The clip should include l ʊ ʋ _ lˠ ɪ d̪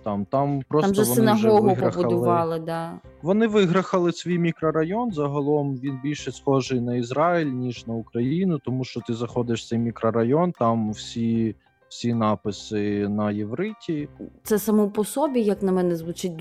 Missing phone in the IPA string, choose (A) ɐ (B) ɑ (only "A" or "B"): B